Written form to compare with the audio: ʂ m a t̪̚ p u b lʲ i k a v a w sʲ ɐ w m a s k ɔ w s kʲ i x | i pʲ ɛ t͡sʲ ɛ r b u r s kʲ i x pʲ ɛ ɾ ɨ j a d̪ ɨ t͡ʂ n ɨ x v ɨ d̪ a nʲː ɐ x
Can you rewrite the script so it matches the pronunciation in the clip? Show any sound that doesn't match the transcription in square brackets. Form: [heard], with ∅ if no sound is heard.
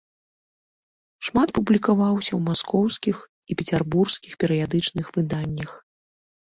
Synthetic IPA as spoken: ʂ m a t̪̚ p u b lʲ i k a v a w sʲ ɐ w m a s k ɔ w s kʲ i x | i pʲ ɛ t͡sʲ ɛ r b u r s kʲ i x pʲ ɛ ɾ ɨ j a d̪ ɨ t͡ʂ n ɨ x v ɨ d̪ a nʲː ɐ x